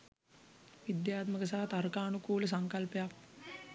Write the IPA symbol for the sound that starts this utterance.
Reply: ʋ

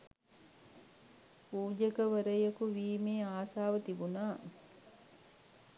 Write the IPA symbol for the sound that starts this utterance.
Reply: p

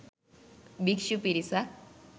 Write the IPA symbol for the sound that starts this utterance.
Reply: b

